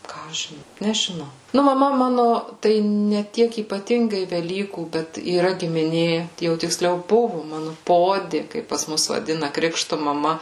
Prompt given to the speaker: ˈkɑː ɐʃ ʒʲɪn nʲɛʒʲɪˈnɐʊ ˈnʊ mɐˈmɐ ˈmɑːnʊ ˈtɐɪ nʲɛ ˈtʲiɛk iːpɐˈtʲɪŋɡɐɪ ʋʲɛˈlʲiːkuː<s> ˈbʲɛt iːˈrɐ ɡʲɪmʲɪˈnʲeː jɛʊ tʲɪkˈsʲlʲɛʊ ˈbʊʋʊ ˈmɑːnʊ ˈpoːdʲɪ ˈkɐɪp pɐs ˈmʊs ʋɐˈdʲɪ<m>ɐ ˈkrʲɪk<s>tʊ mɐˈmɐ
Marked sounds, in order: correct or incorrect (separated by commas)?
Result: incorrect, incorrect, incorrect